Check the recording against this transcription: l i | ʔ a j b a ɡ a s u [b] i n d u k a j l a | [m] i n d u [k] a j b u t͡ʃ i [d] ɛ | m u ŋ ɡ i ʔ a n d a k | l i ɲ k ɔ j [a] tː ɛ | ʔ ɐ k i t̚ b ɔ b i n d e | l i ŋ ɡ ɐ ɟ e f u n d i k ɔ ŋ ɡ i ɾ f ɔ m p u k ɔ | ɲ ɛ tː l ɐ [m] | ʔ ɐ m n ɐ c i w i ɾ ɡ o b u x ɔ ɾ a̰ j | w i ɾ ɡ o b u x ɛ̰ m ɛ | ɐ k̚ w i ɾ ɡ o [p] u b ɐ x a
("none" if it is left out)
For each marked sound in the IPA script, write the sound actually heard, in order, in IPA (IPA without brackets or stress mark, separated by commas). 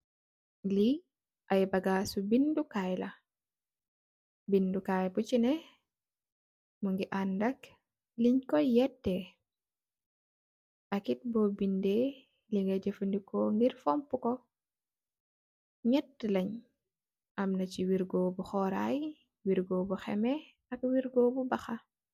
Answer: b, b, k, n, ɛ, ɲ, b